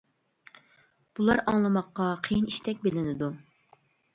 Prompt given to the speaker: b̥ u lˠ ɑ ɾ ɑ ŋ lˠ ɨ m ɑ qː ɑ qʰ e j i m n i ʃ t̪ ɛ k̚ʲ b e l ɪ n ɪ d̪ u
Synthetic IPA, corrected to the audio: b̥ u lˠ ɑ ɾ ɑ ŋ lˠ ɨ m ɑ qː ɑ qʰ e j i n i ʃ t̪ ɛ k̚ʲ b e l ɪ n ɪ d̪ u